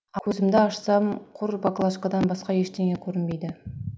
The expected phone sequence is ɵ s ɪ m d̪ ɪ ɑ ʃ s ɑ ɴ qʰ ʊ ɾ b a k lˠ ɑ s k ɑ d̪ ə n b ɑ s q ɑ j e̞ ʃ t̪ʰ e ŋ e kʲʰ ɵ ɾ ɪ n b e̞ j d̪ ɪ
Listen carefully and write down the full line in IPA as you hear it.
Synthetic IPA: ɵ z ɪ m d̪ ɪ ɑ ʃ s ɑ m qʰ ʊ ɾ b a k lˠ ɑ ʃ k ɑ d̪ ɑ n b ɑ s q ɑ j e̞ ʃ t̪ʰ e ŋ e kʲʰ ɵ ɾ ɪ n b e̞ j d̪ ɪ